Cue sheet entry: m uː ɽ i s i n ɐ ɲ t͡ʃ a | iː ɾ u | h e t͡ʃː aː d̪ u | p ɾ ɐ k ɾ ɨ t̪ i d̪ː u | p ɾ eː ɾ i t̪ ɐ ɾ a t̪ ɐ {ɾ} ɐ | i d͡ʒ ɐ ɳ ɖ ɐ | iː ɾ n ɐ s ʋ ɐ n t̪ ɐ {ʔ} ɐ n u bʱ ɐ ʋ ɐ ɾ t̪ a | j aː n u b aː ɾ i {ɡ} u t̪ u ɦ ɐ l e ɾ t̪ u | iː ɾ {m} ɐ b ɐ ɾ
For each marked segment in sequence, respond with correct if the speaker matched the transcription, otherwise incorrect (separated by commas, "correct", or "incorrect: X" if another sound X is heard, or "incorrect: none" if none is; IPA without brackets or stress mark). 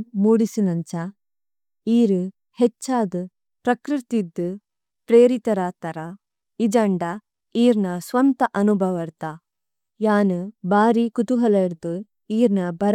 correct, correct, incorrect: k, incorrect: n